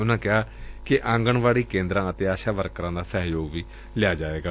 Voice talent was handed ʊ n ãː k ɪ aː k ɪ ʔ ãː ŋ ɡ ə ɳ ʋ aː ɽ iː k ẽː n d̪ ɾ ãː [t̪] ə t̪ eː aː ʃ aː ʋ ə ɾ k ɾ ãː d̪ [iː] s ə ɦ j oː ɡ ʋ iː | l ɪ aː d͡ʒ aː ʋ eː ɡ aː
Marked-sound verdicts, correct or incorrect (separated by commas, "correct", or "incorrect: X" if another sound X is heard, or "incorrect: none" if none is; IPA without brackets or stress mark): incorrect: none, incorrect: aː